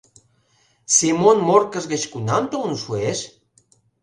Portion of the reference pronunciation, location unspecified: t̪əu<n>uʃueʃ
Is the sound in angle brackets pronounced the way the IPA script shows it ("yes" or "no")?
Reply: yes